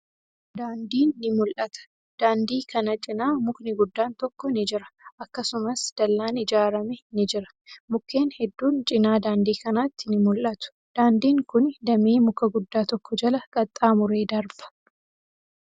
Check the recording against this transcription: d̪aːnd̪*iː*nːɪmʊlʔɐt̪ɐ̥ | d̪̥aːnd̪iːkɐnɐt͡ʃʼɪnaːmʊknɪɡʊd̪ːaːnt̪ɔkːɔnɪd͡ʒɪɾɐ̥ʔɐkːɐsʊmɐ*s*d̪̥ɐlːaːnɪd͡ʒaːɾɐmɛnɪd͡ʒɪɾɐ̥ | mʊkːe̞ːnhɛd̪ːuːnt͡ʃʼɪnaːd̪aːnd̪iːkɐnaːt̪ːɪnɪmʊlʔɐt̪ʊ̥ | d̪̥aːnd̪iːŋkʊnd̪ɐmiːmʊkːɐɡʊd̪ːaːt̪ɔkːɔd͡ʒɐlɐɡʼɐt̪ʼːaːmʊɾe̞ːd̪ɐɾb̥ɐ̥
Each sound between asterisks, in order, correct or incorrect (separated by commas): correct, correct